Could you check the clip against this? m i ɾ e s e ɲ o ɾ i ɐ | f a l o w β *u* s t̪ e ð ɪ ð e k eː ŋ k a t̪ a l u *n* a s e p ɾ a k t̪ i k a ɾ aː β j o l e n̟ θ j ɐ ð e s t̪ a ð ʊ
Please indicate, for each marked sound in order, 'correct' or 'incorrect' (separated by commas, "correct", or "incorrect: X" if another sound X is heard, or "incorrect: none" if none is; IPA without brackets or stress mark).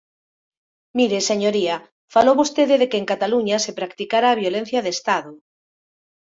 incorrect: o, incorrect: ɲ